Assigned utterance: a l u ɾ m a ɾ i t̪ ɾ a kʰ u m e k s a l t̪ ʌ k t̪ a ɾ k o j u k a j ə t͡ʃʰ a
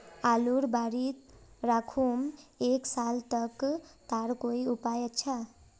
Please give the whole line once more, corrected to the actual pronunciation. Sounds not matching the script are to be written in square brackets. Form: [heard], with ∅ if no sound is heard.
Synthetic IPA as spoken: a l u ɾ [b] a ɾ i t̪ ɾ a kʰ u m e k s a l t̪ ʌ k t̪ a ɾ k o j u [p] a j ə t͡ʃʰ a